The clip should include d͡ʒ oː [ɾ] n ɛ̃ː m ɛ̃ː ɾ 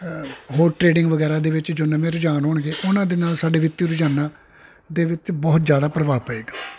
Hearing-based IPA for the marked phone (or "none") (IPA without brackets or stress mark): none